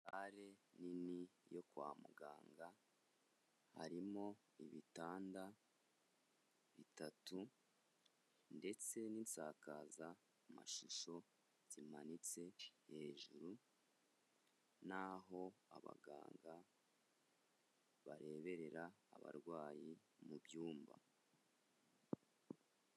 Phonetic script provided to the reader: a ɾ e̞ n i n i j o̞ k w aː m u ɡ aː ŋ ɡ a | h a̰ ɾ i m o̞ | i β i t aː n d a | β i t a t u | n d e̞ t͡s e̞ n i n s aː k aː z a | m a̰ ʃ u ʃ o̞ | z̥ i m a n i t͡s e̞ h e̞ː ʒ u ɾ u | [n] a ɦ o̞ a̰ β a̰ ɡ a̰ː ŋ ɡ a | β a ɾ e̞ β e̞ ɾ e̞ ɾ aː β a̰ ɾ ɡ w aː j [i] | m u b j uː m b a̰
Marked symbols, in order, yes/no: yes, yes

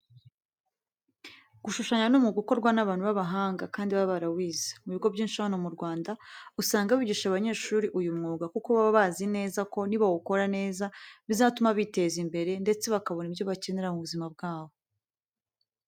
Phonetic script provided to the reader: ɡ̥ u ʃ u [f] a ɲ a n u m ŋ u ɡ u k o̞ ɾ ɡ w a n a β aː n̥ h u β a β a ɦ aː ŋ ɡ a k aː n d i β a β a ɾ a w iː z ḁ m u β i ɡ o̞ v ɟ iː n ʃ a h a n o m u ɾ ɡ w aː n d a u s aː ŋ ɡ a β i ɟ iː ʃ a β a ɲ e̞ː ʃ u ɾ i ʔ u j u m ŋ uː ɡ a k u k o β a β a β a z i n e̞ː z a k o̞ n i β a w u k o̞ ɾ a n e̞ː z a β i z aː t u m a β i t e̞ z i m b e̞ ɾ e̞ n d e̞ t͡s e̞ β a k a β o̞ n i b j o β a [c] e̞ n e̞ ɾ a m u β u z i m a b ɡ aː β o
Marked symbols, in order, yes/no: no, yes

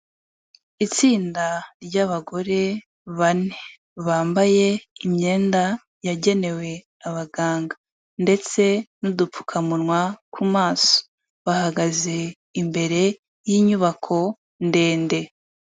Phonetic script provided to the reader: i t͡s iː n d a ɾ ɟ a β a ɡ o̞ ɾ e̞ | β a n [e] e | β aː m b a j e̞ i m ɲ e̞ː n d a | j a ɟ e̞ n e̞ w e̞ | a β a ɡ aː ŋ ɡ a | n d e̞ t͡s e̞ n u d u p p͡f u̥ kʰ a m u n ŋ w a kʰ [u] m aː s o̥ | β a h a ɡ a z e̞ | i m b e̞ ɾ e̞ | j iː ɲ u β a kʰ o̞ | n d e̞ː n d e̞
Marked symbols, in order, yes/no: yes, yes

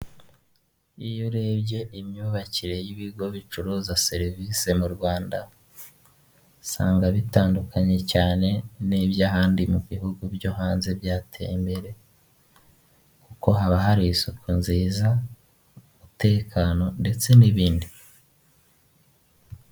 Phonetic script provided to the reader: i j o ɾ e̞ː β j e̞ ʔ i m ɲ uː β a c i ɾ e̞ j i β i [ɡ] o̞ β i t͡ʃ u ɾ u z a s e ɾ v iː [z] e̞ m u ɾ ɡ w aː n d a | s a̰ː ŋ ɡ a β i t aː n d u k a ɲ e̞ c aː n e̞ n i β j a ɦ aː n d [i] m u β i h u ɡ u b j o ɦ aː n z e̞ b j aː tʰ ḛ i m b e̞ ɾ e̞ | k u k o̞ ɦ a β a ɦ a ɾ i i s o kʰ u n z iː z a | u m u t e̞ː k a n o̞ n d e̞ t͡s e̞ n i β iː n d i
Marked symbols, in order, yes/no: yes, no, yes

